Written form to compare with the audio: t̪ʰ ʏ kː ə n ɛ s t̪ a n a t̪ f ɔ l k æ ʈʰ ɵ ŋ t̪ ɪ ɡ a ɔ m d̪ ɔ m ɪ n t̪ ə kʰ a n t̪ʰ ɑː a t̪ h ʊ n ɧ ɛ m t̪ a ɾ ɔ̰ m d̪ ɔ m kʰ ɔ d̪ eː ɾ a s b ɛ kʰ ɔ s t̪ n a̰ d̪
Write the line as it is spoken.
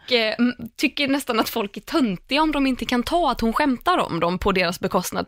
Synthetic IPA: t̪ʰ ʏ kː ə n ɛ s t̪ a n a t̪ f ɔ l k æ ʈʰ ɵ n t̪ ɪ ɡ a ɔ m d̪ ɔ m ɪ n t̪ ə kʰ a n t̪ʰ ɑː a t̪ h ʊ n ɧ ɛ m t̪ a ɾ ɔ̰ m d̪ ɔ m pʰ ɔ d̪ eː ɾ a s b ɛ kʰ ɔ s t̪ n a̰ d̪